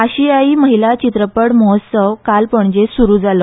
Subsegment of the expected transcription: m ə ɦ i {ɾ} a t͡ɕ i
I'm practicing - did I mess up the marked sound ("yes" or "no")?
yes